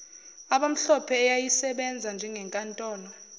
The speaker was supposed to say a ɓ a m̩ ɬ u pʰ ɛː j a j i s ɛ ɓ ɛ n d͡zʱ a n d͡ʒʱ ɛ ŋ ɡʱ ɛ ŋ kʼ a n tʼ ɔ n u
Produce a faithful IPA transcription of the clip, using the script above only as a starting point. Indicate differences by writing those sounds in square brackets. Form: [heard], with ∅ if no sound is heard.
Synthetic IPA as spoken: a ɓ a m̩ ɬ [ɔ] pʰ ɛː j a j i s ɛ ɓ ɛ n d͡zʱ a n d͡ʒʱ ɛ ŋ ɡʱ ɛ ŋ kʼ a n tʼ [ɔː] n [ɔ]